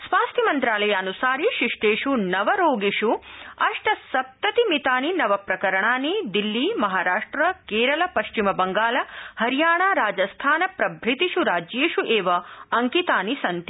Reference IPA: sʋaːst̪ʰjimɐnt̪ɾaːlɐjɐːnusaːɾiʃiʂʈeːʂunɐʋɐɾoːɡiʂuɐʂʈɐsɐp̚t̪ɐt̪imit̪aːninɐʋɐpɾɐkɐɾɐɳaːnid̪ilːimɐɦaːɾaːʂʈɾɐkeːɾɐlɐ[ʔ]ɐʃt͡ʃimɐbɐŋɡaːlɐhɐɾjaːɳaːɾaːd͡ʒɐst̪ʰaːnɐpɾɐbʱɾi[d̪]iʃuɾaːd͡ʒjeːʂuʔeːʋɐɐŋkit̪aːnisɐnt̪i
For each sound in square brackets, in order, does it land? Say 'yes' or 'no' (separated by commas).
no, no